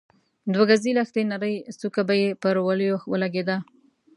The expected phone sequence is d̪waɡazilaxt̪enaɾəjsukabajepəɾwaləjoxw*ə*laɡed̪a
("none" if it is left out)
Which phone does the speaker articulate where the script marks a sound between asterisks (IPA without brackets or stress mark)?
ə